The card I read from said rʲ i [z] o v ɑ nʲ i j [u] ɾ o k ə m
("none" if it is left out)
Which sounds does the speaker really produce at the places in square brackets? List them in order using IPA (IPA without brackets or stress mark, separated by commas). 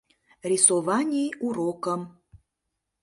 s, u